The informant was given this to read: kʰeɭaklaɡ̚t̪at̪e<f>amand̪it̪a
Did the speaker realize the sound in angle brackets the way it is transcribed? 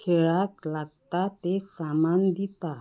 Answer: no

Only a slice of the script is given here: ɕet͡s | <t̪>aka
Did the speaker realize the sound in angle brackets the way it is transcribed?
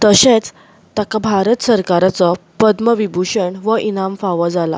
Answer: yes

